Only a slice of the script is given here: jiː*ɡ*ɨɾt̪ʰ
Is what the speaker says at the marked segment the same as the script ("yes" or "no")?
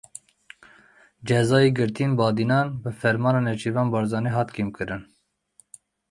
yes